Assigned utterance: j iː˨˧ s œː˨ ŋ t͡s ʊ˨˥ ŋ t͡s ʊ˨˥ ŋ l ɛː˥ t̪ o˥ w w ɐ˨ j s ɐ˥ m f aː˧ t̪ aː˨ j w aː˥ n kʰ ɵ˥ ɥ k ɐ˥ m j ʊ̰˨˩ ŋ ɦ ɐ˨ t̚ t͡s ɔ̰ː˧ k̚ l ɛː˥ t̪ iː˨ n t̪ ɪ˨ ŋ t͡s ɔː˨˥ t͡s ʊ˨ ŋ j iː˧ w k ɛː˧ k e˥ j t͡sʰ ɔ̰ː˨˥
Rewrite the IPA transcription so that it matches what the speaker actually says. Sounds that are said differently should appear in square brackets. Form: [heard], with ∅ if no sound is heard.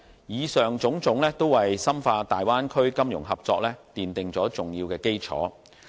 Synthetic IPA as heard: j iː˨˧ s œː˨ ŋ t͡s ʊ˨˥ ŋ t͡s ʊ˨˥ ŋ l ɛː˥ t̪ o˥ w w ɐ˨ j s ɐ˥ m f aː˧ t̪ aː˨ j w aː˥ n kʰ ɵ˥ ɥ k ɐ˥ m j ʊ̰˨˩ ŋ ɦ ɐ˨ [p̚] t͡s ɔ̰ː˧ k̚ l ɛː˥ t̪ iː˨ n t̪ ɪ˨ ŋ t͡s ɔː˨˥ t͡s ʊ˨ ŋ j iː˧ w k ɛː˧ k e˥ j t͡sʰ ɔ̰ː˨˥